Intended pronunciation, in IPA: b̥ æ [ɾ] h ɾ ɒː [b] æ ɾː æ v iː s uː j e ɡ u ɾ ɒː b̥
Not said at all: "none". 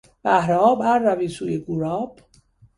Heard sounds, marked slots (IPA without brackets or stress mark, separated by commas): none, b